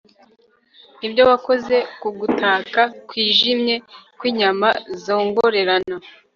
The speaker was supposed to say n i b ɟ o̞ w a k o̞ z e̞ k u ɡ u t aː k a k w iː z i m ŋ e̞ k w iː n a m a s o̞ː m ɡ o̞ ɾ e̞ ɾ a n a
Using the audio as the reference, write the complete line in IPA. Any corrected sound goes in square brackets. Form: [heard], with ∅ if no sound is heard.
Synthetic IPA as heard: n i b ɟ o̞ w a k o̞ z e̞ k u ɡ u t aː k a k w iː [ʒ] i m [ɲ] e̞ k w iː [ɲ] a m a [z] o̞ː [ŋ] ɡ o̞ ɾ e̞ ɾ a n a